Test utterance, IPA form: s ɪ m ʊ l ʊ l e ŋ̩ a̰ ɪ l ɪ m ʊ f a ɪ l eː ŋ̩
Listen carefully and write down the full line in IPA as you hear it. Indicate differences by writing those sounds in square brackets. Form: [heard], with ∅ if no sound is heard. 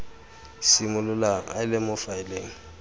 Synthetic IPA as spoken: s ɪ m ʊ l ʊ l [a] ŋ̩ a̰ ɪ l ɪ m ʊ f a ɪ l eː ŋ̩